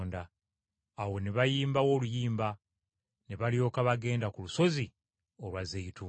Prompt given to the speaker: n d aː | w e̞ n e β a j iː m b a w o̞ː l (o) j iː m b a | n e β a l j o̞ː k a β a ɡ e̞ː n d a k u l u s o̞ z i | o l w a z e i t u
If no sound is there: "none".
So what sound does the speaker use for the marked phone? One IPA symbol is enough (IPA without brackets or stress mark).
u